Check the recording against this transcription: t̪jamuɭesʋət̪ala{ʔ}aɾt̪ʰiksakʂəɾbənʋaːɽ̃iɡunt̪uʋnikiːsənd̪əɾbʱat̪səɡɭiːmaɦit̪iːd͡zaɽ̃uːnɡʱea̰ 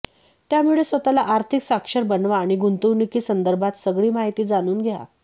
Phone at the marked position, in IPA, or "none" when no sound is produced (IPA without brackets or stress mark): ʔ